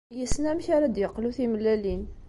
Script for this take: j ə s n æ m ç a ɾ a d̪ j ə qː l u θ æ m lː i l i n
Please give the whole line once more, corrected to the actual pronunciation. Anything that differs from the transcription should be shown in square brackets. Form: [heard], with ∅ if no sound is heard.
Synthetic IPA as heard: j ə s n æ m ç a ɾ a d̪ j ə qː l u θ [i] m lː [æ] l i n